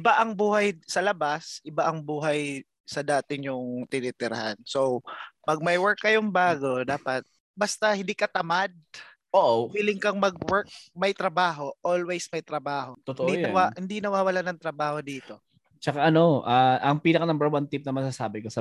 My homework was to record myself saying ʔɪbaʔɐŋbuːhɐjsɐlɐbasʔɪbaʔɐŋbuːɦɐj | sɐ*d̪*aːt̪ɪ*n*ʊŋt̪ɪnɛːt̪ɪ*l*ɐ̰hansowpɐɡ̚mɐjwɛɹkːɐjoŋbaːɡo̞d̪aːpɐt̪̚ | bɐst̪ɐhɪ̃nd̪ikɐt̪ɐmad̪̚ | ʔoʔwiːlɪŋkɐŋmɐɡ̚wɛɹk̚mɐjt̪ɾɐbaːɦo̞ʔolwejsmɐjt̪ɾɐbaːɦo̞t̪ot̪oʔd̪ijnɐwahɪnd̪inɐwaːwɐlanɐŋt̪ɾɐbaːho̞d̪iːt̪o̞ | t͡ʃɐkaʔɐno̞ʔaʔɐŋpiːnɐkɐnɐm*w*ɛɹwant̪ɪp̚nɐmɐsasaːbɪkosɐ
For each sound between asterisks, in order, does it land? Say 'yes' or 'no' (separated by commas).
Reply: yes, no, no, no